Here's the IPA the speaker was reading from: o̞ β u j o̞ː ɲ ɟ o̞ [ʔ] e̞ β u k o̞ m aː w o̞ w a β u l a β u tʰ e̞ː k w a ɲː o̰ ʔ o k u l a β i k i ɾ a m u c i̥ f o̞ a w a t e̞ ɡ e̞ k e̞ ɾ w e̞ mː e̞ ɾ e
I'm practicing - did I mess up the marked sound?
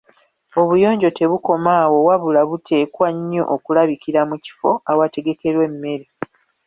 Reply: yes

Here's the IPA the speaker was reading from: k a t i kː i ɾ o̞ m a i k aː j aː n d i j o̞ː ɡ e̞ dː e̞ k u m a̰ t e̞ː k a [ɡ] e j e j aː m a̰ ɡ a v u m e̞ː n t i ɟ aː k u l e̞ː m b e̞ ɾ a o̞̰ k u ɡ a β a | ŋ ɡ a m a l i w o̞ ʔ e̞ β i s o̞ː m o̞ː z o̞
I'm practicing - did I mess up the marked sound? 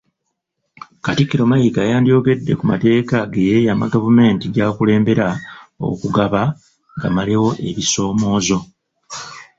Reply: no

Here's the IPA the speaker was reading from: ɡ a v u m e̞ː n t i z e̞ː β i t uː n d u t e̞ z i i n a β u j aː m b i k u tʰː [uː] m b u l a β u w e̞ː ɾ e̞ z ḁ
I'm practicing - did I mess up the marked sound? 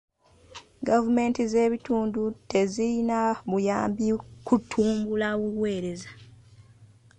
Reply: no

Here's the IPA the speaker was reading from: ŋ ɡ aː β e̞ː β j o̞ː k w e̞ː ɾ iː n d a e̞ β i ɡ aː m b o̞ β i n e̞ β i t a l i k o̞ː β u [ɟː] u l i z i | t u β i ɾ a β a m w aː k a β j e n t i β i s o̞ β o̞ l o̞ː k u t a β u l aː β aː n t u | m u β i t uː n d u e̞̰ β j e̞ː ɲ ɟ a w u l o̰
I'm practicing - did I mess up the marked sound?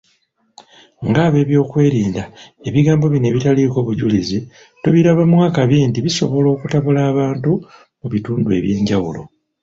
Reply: yes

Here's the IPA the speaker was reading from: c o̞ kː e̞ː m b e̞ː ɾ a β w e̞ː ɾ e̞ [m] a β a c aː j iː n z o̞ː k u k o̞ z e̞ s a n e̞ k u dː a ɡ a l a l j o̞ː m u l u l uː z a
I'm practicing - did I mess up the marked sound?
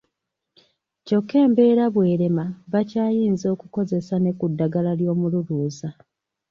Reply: no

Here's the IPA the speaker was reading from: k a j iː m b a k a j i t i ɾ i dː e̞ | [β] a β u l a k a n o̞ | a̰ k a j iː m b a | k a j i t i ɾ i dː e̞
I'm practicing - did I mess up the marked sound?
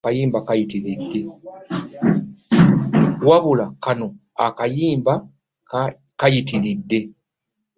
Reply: yes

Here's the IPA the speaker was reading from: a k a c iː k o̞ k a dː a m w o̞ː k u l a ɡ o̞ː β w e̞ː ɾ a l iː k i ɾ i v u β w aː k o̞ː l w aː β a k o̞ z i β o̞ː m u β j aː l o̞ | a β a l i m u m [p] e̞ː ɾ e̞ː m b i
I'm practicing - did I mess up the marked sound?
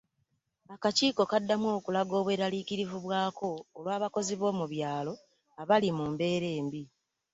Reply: yes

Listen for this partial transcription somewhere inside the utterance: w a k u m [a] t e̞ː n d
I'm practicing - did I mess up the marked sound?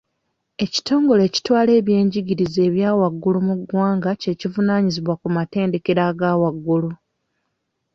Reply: no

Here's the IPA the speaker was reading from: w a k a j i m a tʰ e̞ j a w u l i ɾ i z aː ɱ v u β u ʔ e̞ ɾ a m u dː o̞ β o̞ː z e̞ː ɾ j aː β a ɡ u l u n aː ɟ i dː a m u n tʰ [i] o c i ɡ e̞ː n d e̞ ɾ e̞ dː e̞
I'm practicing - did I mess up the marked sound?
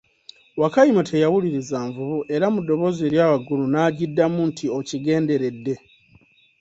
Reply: no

